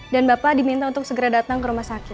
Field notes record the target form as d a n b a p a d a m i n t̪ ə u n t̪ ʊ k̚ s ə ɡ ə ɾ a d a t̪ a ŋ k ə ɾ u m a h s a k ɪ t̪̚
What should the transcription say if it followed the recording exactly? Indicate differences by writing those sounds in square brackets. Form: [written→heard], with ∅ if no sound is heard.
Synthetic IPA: d a n b a p a d [a→i] m i n t̪ [ə→a] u n t̪ ʊ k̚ s ə ɡ ə ɾ a d a t̪ a ŋ k ə ɾ u m a h s a k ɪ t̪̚